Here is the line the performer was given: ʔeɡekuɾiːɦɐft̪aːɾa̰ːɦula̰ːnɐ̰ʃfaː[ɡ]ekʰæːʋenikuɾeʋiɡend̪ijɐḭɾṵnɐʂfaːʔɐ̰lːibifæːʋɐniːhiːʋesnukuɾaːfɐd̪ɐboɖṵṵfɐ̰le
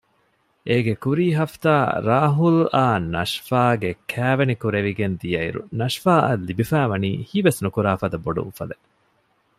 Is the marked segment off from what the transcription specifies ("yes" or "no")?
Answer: no